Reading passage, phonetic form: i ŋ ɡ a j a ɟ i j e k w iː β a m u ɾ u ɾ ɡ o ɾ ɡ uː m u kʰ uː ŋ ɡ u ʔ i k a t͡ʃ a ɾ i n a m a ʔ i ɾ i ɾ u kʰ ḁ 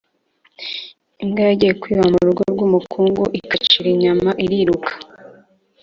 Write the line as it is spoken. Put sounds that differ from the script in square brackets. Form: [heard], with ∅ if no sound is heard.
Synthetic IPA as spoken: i ŋ ɡ a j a ɟ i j e k w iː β a m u ɾ u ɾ ɡ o ɾ ɡ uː m u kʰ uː ŋ ɡ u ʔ i k a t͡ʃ [i] ɾ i [ɲ] a m a ʔ i ɾ i ɾ u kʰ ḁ